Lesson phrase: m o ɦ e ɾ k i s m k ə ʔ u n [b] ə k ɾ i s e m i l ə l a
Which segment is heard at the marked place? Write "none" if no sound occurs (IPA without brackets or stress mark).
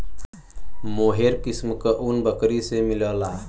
b